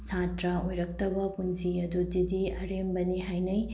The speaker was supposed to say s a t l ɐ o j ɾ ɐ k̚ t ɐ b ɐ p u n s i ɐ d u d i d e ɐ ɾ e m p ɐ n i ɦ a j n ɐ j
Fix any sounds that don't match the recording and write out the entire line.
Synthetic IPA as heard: s a t ɾ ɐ o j ɾ ɐ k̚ t ɐ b ɐ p u n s i ɐ d u d i d i ɐ ɾ e m b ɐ n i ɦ a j n ɐ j